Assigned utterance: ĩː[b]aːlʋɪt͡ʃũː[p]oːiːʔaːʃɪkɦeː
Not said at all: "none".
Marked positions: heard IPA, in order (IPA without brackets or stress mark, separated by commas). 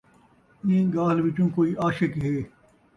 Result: ɡ, k